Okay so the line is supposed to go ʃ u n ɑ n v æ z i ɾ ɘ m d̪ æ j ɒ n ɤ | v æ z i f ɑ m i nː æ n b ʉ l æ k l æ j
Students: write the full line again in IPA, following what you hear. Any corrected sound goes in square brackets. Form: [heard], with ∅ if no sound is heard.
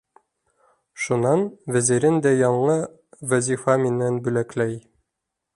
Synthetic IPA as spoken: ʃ u n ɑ n v æ z i ɾ ɘ [n] d̪ æ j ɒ [ɴ] ɤ | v æ z i f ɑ m i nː æ n b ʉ l æ k l æ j